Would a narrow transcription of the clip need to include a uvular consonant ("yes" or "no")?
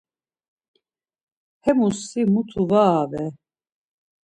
no